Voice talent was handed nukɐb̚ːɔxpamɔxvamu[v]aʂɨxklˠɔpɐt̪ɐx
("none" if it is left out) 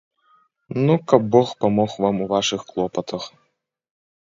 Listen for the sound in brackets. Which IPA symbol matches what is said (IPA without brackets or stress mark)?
v